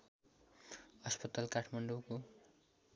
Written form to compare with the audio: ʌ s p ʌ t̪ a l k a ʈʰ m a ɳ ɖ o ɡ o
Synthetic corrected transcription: ʌ s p ʌ t̪ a l k a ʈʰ m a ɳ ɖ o k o